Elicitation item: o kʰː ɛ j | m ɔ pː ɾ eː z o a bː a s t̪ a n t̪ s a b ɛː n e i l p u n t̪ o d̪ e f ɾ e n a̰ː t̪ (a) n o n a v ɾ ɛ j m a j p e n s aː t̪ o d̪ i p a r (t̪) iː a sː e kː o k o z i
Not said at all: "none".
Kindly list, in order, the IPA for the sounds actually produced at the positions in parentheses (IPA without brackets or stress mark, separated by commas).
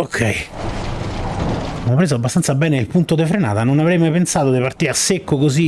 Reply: a, t̪